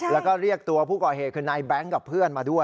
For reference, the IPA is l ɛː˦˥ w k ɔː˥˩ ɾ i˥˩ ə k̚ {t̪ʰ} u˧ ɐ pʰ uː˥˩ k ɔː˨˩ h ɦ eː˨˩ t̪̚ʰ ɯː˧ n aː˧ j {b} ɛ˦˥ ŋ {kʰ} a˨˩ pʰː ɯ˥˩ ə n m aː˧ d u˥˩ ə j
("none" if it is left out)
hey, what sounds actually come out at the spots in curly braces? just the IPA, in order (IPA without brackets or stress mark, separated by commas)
t̪, b, k